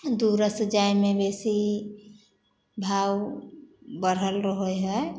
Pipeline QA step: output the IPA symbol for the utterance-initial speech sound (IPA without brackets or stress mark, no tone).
d̪